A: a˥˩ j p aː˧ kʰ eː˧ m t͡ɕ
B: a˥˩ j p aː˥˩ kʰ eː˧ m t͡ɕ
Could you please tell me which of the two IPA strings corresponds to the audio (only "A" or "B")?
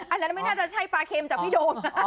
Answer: A